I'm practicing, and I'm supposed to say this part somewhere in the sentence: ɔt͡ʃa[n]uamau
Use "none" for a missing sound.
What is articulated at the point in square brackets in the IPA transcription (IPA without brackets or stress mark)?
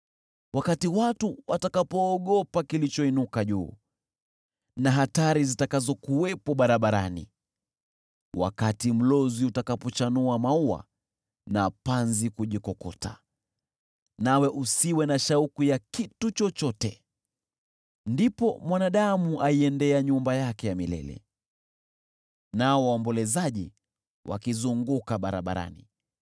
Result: n